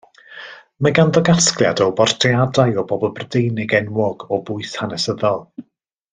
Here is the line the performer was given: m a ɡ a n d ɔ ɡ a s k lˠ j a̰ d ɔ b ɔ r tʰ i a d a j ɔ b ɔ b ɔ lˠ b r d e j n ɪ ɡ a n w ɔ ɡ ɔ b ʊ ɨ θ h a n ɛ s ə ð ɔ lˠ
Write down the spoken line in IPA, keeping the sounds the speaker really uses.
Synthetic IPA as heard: m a ɡ a n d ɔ ɡ a s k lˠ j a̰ d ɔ b ɔ r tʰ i a d a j ɔ b ɔ b ɔ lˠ b r d e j n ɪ ɡ ɛ n w ɔ ɡ ɔ b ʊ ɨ θ h a n ɛ s ə ð ɔ lˠ